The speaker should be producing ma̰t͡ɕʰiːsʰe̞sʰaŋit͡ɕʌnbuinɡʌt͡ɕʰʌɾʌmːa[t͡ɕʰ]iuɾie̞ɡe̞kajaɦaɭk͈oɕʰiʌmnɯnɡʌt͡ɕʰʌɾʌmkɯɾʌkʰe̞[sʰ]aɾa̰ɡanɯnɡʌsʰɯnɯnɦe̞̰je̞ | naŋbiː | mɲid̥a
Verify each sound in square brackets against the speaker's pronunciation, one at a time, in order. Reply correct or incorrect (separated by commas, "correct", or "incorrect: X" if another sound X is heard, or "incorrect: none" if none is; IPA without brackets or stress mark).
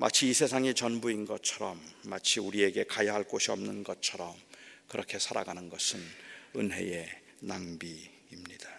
correct, correct